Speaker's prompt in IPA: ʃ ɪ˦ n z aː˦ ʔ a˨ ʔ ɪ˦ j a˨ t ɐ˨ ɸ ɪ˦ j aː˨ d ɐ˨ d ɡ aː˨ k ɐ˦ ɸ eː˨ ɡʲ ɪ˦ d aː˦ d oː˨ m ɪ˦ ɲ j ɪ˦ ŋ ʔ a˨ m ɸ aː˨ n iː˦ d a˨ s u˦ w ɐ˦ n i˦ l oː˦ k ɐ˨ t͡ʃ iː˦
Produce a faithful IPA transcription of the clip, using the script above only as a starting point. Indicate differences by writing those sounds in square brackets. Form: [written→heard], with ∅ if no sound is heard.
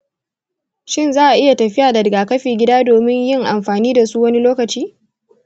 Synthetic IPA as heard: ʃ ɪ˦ n z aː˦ ʔ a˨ ʔ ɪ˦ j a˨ t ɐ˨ ɸ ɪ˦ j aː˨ d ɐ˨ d ɡ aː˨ k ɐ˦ ɸ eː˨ ɡʲ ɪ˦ d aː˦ d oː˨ m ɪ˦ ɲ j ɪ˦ ŋ ʔ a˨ m ɸ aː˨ n iː˦ d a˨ s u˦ w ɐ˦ n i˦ l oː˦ k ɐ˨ t͡ʃ iː˦